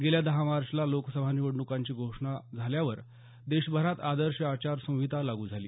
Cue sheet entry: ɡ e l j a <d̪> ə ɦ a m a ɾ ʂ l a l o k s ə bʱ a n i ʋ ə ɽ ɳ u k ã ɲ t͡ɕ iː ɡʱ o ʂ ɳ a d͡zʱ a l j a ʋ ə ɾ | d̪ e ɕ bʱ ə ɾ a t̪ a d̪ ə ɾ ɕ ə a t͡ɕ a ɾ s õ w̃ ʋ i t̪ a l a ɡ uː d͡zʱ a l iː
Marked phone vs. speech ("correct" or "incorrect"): correct